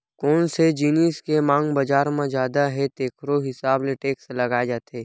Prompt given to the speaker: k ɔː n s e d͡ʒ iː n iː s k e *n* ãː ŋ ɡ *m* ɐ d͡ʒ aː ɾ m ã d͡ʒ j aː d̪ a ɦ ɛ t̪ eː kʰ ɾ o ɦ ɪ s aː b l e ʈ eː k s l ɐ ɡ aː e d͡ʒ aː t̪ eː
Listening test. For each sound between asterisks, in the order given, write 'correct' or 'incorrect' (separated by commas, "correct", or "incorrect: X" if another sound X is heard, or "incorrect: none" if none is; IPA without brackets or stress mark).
incorrect: m, incorrect: b